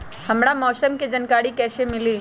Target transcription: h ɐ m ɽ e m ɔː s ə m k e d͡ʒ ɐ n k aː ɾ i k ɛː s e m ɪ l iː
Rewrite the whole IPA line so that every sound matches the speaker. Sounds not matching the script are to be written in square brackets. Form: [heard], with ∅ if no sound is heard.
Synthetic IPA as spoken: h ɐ m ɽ [a] m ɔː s ə m k e d͡ʒ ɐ n k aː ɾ i k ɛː s e m ɪ l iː